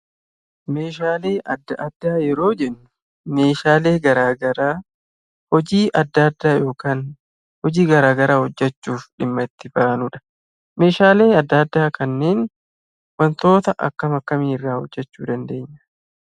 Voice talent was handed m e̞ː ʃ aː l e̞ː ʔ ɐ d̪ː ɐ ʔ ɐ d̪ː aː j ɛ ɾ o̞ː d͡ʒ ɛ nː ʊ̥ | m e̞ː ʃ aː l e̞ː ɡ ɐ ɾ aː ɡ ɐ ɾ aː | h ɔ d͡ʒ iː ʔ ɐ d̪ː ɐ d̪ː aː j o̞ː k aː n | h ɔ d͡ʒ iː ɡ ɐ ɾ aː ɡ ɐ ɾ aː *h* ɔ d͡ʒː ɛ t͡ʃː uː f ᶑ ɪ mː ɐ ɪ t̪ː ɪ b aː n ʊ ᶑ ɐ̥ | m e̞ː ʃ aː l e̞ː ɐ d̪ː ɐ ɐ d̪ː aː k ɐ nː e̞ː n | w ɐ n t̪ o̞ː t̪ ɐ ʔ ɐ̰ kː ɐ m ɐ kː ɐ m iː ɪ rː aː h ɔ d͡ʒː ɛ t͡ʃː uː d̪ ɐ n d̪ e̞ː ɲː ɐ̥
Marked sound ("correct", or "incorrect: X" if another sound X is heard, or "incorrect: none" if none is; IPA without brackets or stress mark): correct